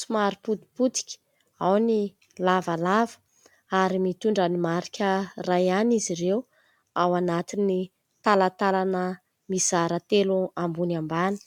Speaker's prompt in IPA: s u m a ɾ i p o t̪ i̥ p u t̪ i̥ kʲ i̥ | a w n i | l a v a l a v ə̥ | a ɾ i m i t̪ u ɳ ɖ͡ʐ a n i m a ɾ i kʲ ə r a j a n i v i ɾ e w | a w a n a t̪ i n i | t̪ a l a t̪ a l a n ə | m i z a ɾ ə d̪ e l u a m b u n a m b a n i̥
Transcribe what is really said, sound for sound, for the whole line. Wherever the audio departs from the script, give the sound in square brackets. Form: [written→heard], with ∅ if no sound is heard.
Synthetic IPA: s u m a ɾ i p [o→u] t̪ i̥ p u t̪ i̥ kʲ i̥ | a w n i | l a v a l a v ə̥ | a ɾ i m i t̪ u ɳ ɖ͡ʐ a n i m a ɾ i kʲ ə r a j a n i [v→z] i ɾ e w | a w a n a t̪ i n i | t̪ a l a t̪ a l a n ə | m i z a ɾ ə [d̪→t̪] e l u a m b u n a m b a n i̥